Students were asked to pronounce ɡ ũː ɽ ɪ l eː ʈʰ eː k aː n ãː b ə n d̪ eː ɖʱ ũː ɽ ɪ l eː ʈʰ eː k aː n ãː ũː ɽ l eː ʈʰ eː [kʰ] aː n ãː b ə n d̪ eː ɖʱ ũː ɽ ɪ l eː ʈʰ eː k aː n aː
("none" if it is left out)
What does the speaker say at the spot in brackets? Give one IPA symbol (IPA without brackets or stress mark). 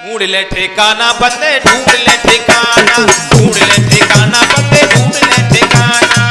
k